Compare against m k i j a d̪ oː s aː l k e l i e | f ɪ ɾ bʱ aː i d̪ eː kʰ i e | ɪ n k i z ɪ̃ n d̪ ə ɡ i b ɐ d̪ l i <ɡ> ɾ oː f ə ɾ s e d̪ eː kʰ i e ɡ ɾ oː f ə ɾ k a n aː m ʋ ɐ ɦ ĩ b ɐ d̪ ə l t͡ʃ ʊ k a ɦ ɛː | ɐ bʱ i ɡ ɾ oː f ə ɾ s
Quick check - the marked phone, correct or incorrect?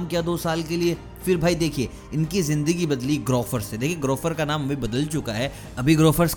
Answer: correct